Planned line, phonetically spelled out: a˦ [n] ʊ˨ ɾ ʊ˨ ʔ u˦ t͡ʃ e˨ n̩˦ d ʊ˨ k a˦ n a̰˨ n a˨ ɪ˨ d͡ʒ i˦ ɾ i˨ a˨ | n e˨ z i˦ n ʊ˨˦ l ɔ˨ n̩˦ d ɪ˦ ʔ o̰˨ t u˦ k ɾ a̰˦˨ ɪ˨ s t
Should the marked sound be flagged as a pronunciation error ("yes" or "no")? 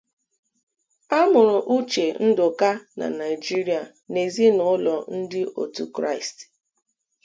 yes